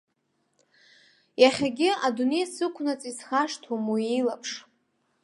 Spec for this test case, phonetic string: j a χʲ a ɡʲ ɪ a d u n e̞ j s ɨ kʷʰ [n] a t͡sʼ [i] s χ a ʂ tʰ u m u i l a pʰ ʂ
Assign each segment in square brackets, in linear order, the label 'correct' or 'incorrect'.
correct, correct

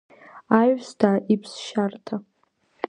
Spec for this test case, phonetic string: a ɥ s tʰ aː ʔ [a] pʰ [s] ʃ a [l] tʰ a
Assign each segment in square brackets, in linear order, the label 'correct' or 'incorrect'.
incorrect: i, correct, incorrect: r

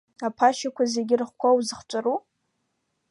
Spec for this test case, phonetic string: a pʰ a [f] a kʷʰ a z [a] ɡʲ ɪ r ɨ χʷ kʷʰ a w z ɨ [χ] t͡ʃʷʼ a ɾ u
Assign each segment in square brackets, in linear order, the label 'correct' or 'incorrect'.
incorrect: ʃ, incorrect: e, correct

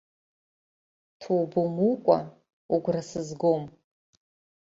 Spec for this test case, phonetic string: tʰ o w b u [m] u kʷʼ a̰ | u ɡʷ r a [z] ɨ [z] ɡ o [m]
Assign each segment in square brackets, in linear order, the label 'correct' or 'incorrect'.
correct, incorrect: s, correct, correct

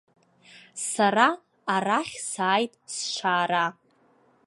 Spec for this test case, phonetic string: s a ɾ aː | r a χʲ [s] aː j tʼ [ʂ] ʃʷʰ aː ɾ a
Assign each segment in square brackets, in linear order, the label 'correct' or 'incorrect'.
correct, incorrect: s

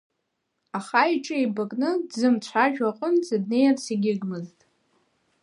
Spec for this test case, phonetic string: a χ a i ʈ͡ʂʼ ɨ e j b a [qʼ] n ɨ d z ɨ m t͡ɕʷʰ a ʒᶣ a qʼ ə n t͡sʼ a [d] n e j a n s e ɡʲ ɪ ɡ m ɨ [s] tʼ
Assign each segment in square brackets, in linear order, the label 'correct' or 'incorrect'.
incorrect: kʼ, correct, incorrect: z

